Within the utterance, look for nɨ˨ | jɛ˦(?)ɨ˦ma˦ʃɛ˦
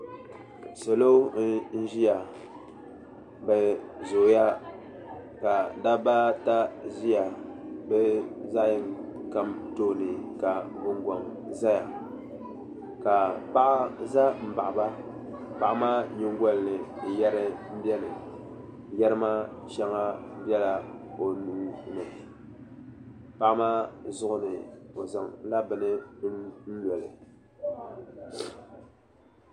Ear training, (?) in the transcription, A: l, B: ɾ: B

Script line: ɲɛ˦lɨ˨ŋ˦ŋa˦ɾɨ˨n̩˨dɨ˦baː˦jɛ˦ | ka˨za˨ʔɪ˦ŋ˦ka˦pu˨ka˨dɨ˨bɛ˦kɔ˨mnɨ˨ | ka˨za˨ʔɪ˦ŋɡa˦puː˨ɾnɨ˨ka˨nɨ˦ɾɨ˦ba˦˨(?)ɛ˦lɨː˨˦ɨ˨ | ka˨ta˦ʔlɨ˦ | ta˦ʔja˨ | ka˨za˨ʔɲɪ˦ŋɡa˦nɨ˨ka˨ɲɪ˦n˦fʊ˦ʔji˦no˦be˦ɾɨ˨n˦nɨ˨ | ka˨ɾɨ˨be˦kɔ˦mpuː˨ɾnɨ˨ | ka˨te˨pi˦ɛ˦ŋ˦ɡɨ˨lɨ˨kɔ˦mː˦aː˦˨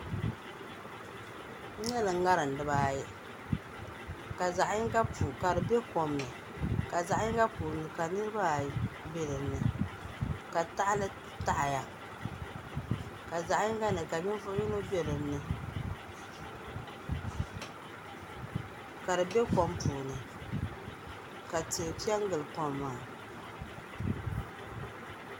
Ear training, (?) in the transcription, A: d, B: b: B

